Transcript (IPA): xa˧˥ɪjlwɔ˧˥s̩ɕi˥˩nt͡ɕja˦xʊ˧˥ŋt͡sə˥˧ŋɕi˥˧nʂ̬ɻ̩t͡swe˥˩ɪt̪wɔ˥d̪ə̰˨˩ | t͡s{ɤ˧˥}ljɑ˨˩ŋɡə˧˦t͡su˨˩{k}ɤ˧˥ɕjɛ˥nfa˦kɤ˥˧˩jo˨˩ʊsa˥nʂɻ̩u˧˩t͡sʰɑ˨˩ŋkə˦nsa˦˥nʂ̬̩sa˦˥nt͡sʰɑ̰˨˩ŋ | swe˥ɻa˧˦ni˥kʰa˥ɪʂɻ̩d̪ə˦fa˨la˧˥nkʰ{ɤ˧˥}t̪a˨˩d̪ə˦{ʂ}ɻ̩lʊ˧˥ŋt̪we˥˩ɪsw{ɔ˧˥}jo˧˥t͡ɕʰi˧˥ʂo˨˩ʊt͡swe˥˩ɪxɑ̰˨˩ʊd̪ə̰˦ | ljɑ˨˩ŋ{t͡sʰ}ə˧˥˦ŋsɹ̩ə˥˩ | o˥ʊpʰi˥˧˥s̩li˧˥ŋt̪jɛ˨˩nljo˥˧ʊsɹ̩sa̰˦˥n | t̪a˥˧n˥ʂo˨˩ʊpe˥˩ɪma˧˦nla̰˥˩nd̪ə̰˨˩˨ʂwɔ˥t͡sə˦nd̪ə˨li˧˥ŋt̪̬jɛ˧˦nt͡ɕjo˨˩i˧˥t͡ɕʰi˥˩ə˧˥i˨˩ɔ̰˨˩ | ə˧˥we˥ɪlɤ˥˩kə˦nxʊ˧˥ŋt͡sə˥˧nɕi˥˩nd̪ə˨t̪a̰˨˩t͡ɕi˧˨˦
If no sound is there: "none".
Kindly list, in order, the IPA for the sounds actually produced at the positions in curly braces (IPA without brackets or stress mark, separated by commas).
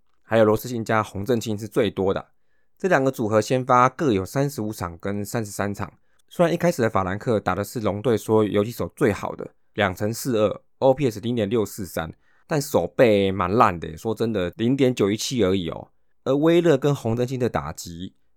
ɤ˥˩, x, ɤ˥˩, ʂ, ɔ˥, t͡sʰ